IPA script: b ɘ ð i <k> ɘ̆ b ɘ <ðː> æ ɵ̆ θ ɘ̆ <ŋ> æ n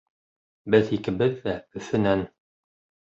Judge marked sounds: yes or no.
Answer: yes, yes, no

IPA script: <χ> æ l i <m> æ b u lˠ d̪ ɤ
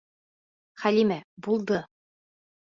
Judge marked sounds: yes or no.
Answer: yes, yes

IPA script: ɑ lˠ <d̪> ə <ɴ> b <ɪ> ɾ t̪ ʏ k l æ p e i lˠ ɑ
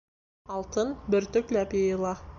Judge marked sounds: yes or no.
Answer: no, no, yes

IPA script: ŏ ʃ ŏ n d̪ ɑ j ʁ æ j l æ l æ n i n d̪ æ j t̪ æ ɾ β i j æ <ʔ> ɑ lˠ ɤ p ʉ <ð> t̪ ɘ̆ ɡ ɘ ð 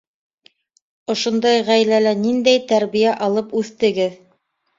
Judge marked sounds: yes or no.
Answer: yes, no

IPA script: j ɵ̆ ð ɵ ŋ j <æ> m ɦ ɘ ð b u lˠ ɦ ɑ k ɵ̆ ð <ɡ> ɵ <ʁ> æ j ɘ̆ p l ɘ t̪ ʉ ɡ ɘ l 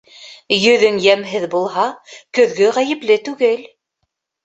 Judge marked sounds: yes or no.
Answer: yes, yes, yes

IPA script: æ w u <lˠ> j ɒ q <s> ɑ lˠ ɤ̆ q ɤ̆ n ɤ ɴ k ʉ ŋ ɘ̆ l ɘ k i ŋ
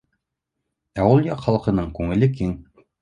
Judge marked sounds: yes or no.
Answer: yes, no

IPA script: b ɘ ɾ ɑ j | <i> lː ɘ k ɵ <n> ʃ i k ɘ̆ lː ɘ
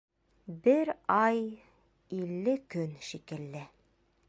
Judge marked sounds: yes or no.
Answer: yes, yes

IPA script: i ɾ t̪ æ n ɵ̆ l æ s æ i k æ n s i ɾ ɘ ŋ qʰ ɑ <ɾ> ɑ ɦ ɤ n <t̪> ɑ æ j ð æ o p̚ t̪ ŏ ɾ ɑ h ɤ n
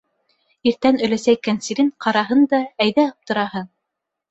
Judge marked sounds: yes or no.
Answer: yes, no

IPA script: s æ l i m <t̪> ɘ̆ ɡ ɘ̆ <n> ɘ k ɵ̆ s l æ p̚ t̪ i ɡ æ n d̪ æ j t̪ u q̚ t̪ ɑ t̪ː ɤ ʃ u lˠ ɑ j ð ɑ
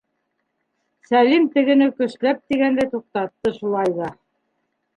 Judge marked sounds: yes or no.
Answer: yes, yes

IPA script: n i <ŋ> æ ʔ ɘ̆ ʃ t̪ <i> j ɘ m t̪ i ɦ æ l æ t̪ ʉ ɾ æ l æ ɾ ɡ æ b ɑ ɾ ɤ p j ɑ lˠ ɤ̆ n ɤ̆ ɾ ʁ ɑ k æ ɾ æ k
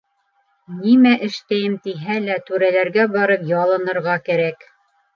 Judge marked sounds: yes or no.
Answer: no, no

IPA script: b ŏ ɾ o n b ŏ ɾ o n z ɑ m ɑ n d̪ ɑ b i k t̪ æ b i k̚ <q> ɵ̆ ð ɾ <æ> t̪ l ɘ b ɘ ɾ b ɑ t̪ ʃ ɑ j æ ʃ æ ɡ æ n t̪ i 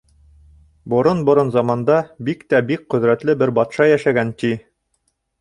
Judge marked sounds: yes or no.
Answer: yes, yes

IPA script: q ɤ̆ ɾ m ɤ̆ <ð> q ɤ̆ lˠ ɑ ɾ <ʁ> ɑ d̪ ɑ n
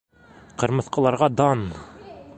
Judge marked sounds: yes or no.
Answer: no, yes

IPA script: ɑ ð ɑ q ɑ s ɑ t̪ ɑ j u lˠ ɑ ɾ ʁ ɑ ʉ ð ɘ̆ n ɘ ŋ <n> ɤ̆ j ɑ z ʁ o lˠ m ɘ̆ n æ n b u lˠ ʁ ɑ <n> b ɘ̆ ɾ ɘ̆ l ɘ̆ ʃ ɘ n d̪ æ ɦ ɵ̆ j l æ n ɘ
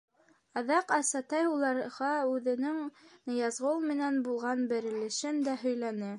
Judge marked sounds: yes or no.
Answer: yes, yes

